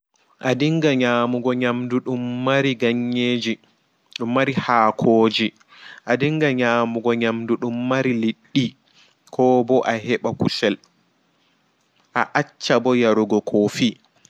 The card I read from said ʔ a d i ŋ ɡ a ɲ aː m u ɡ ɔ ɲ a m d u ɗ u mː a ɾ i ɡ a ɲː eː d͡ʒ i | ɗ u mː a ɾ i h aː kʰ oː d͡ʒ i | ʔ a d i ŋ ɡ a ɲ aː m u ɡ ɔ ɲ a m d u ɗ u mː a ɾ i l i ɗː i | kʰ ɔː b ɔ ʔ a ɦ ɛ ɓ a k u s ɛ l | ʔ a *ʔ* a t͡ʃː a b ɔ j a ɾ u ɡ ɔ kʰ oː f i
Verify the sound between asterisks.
correct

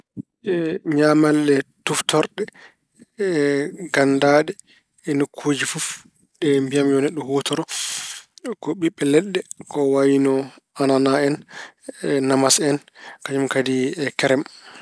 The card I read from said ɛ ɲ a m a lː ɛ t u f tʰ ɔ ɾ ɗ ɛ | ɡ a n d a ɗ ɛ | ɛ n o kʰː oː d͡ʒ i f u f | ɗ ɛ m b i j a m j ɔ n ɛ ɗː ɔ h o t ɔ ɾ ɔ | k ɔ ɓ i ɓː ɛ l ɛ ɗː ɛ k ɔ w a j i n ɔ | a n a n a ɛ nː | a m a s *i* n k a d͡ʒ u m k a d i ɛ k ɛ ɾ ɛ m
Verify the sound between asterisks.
incorrect: ɛ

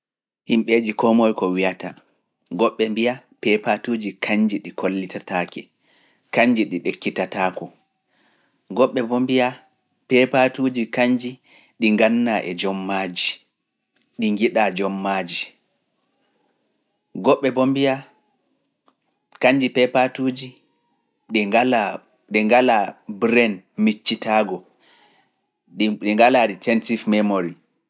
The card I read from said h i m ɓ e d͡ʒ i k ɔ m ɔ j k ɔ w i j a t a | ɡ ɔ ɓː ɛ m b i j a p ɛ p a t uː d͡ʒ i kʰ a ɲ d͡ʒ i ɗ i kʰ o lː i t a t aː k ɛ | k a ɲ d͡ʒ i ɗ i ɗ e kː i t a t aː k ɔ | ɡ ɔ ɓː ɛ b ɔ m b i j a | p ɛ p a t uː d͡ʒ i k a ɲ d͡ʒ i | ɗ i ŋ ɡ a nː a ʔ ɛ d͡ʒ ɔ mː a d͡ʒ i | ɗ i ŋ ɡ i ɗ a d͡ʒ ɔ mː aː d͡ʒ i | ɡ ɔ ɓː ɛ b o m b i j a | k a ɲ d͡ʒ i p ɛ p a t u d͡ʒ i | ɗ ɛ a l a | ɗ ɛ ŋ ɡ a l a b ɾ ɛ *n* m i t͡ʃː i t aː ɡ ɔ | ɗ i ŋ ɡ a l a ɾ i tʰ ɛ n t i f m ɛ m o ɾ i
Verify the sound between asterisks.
correct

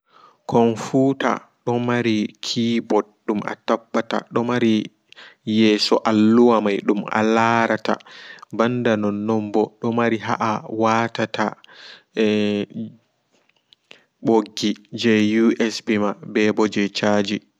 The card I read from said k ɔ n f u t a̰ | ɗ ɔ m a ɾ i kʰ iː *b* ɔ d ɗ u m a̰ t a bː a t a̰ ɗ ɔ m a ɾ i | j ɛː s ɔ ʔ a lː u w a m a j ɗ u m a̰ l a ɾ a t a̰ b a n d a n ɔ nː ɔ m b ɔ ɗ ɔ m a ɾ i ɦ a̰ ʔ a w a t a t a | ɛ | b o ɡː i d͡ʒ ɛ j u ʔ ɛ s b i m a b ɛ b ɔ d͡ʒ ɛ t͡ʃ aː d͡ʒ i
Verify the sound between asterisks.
correct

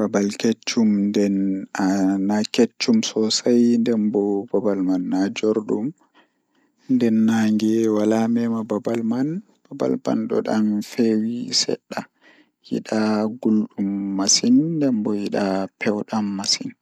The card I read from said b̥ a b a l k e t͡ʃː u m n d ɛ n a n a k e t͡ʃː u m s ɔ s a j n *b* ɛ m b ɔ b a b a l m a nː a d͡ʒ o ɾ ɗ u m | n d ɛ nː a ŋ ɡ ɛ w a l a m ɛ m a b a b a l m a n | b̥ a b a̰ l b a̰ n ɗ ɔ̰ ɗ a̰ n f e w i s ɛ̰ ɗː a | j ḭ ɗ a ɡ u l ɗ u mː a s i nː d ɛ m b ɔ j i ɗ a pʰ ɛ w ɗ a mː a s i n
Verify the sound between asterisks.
incorrect: d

